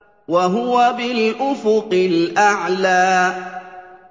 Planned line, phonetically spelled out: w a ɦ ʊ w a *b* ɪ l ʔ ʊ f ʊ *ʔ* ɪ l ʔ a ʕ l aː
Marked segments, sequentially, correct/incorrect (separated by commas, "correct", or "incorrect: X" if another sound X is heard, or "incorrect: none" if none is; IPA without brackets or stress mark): correct, incorrect: q